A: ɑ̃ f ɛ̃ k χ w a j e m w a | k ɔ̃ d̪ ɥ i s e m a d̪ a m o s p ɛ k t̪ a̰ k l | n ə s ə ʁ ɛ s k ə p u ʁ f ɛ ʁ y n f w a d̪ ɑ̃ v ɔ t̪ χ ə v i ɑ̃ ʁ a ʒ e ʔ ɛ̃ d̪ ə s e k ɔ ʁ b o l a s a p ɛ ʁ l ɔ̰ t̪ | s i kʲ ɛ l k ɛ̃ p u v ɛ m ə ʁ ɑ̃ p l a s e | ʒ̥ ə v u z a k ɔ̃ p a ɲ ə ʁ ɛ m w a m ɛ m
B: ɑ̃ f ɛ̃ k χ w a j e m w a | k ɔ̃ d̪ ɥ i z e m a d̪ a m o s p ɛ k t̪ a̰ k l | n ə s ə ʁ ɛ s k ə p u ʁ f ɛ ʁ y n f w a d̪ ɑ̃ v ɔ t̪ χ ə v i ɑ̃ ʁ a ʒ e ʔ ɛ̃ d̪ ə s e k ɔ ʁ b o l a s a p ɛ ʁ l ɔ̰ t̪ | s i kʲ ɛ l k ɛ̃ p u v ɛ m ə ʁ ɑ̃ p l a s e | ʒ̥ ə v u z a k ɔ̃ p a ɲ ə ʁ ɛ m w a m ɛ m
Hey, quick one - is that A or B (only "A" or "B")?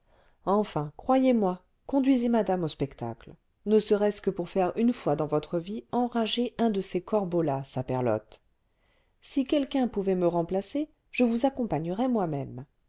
B